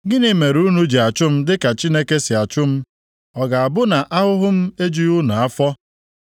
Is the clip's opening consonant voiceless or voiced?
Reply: voiced